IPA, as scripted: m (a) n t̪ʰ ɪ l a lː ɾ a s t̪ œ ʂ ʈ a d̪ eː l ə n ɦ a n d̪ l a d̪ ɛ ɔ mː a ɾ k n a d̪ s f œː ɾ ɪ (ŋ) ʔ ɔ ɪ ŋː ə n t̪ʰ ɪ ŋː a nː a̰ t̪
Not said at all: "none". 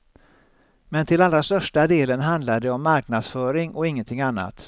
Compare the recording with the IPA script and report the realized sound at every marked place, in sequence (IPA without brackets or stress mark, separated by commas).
ɛ, ŋ